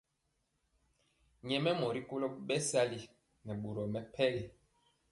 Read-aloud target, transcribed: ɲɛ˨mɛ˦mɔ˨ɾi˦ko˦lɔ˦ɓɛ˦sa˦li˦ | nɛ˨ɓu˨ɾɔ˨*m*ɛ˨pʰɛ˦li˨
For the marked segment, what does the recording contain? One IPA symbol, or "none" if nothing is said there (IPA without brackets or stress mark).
m